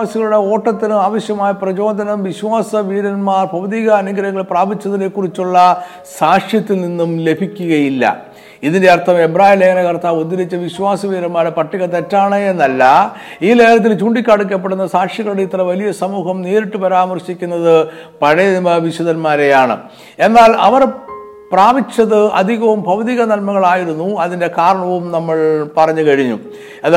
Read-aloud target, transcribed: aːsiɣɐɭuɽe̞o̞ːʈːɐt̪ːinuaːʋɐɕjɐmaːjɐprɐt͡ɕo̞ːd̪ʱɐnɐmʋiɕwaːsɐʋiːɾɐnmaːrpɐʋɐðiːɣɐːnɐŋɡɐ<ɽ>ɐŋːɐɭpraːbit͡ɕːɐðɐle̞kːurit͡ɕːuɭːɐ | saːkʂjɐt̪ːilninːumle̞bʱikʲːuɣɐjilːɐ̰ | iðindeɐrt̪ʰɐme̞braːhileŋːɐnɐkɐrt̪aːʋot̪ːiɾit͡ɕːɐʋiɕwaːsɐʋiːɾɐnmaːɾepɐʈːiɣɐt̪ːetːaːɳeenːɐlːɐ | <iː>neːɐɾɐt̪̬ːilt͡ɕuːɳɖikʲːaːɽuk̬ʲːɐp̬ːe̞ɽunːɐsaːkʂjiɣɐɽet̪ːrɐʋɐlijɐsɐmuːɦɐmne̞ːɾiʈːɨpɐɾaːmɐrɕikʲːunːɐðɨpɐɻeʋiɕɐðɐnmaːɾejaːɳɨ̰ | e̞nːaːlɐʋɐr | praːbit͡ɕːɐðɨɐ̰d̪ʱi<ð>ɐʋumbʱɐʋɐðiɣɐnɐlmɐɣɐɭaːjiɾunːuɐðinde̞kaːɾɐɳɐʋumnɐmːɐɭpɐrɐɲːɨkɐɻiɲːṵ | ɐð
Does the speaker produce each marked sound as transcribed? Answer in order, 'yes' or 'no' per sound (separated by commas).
no, yes, no